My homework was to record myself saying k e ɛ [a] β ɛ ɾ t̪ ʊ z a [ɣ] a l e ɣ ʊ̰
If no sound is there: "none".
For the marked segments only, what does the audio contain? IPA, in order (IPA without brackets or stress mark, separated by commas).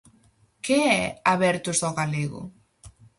a, ɣ